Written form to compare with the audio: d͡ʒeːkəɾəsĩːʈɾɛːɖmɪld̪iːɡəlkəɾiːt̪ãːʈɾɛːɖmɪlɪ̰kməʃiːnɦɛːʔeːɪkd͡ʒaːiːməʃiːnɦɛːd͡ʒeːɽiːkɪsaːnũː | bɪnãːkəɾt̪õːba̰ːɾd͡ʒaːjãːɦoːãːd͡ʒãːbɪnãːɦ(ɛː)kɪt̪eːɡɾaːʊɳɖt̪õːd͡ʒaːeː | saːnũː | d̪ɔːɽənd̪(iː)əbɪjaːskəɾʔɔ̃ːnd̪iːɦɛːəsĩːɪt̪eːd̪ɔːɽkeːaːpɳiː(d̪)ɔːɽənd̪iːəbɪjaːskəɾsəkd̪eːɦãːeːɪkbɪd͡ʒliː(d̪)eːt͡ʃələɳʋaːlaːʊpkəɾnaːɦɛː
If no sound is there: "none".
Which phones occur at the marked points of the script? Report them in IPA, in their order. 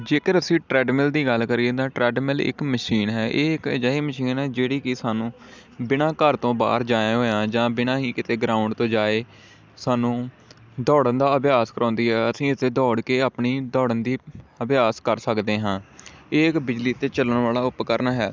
iː, aː, d̪, t̪

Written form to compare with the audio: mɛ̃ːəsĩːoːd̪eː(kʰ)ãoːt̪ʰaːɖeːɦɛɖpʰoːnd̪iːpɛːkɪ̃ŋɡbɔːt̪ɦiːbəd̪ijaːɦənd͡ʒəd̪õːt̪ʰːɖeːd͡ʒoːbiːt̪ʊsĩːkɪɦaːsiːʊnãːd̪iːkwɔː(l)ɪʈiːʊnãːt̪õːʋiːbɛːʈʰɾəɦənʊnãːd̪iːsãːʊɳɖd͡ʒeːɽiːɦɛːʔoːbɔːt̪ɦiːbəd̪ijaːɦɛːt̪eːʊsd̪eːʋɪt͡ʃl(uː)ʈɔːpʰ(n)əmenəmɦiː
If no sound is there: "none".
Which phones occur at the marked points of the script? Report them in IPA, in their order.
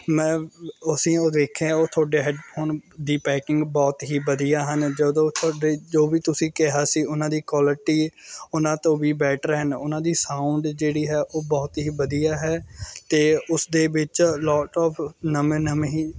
kʰ, l, ɔː, n

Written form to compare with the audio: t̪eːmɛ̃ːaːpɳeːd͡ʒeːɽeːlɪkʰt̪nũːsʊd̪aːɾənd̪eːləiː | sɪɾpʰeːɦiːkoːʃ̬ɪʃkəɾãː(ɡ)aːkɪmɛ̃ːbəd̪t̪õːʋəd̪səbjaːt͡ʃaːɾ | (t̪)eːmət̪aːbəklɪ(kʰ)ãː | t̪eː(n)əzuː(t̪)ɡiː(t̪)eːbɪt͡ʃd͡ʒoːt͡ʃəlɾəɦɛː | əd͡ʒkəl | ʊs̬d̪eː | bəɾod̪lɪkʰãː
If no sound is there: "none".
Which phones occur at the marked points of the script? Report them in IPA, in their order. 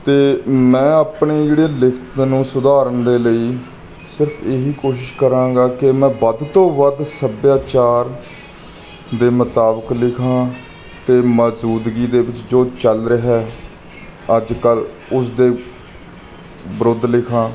ɡ, d̪, kʰ, m, d̪, d̪

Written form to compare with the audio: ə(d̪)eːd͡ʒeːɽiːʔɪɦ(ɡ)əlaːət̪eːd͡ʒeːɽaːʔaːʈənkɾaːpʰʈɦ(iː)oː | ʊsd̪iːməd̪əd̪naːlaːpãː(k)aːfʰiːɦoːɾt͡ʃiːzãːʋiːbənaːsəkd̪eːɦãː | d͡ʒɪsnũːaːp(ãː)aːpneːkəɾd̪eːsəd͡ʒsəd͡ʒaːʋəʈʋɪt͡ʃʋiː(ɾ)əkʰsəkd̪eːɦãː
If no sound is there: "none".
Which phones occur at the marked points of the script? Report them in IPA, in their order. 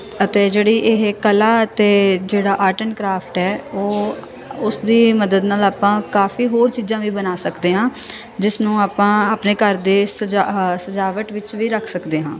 t̪, k, ɛː, k, ãː, ɾ

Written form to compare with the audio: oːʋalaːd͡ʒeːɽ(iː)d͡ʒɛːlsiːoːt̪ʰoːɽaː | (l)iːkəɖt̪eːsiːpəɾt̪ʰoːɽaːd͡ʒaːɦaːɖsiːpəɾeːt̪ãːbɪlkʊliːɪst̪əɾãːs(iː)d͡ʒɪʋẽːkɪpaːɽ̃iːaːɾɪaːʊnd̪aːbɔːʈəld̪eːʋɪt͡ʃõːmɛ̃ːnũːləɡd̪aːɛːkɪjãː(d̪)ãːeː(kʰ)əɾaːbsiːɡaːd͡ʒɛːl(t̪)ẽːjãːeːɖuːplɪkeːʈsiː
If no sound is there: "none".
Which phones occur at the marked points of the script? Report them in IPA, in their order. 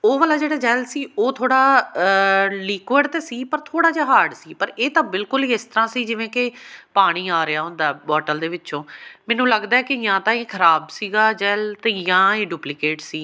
aː, l, iː, t̪, kʰ, t̪

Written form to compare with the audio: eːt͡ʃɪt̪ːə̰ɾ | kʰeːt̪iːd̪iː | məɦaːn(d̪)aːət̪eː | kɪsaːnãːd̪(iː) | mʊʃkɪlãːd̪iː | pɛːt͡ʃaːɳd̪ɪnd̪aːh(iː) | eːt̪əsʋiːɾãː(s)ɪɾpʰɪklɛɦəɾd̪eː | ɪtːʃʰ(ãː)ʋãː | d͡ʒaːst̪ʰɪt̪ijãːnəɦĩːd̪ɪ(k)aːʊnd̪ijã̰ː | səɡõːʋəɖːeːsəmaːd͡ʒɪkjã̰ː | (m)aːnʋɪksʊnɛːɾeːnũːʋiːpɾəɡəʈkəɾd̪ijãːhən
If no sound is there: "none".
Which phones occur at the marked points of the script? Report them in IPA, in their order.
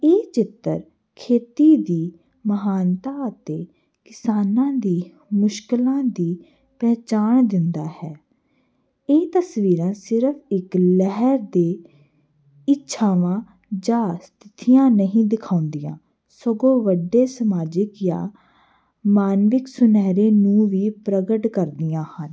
t̪, iː, ɛː, s, aː, kʰ, m

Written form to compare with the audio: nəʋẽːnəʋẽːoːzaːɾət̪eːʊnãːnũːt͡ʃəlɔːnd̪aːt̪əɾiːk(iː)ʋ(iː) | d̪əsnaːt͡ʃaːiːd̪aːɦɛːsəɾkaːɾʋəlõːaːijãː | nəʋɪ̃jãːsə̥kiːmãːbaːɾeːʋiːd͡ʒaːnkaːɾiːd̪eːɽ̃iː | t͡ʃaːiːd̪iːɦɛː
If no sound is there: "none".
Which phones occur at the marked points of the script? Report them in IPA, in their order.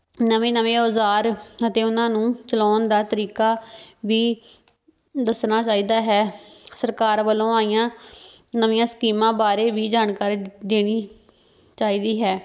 aː, iː

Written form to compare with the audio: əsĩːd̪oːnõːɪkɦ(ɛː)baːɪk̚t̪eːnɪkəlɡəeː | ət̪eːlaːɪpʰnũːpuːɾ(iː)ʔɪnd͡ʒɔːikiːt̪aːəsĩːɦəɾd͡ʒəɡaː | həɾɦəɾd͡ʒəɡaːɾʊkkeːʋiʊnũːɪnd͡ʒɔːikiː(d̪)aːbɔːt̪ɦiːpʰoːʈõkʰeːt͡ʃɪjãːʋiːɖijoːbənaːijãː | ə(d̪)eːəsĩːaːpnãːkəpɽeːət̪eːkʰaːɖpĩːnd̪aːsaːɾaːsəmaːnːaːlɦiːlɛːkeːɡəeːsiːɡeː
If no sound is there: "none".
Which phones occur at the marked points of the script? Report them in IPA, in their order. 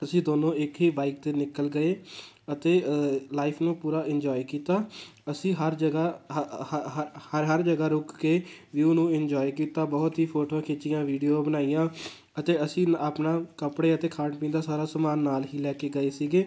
iː, aː, t̪, t̪

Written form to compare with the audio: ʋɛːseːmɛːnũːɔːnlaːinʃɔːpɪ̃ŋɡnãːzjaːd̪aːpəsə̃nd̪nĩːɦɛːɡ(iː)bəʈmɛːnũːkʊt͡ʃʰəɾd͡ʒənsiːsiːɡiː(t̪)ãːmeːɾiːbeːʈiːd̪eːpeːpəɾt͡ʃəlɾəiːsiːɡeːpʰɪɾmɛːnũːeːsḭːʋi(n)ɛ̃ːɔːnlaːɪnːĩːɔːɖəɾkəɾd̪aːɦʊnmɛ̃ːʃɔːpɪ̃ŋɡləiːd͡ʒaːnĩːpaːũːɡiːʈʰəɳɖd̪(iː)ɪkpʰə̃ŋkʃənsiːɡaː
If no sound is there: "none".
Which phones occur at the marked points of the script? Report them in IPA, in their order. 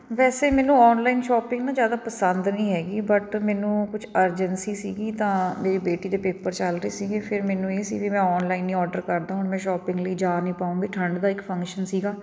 iː, t̪, m, aː

